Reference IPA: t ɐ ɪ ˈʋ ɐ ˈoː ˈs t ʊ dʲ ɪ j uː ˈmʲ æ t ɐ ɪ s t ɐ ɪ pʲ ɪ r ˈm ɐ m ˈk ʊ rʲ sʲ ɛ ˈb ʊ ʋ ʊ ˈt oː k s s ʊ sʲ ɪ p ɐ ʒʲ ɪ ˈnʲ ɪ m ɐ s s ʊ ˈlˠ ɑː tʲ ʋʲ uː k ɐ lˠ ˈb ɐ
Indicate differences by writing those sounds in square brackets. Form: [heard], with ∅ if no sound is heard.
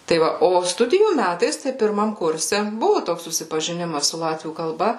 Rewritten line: t ɐ ɪ ˈʋ ɐ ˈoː ˈs t ʊ dʲ ɪ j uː ˈmʲ æ t ɐ ɪ s t ɐ ɪ pʲ ɪ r ˈm ɐ m ˈk ʊ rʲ sʲ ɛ ˈb ʊ ʋ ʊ ˈt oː k s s ʊ sʲ ɪ p ɐ ʒʲ ɪ ˈnʲ ɪ m ɐ s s ʊ ˈlˠ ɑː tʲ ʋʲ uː k ɐ lˠ ˈb ɐ